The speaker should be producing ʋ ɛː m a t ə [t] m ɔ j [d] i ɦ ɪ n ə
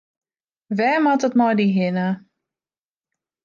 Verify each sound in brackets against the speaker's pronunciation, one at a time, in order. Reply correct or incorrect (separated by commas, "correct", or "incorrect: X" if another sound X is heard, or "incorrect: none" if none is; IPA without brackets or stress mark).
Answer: correct, correct